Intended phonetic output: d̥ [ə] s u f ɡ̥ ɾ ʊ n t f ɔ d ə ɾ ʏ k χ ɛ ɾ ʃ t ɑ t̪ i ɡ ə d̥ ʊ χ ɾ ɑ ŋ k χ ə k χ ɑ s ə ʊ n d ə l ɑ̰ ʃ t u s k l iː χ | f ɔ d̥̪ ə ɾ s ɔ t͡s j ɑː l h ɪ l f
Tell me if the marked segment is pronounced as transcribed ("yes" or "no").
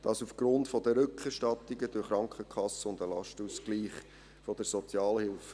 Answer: no